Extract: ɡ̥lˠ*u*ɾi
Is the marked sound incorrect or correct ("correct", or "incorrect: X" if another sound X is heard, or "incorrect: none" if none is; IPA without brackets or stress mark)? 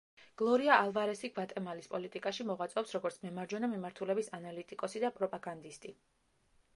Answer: incorrect: ɔ